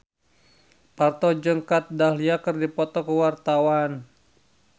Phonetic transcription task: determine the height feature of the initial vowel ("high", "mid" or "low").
low